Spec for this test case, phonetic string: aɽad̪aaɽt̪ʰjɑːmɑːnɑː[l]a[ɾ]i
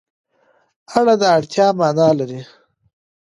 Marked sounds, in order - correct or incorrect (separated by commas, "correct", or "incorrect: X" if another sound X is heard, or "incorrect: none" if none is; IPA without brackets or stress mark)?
correct, correct